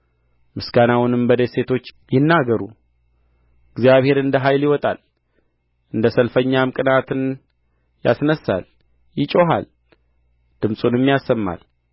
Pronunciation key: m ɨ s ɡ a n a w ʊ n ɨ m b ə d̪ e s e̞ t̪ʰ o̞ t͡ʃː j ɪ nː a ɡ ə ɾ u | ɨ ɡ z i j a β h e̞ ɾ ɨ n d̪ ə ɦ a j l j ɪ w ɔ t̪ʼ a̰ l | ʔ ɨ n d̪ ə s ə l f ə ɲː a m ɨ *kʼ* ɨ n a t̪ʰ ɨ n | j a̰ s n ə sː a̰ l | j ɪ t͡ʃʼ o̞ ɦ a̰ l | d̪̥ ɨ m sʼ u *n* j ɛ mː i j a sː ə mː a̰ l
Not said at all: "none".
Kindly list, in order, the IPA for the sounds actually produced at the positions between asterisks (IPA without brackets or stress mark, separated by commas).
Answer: kʼ, n